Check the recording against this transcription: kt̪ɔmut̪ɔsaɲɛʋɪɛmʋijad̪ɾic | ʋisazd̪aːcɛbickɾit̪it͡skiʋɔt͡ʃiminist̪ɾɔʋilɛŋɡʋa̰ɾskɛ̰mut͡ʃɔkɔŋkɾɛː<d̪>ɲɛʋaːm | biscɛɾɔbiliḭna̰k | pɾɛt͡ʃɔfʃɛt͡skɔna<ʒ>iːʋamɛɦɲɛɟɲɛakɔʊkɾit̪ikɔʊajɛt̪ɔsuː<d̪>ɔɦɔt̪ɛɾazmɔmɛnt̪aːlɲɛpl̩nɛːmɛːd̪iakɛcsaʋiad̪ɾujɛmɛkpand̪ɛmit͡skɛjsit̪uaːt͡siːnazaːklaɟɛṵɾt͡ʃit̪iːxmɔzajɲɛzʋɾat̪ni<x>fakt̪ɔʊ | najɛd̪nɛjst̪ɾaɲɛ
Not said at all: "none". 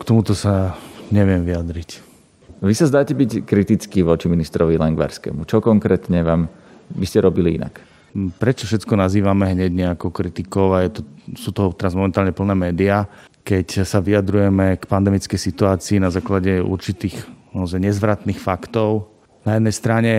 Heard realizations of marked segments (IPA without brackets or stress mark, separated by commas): t̪, z, t̪, x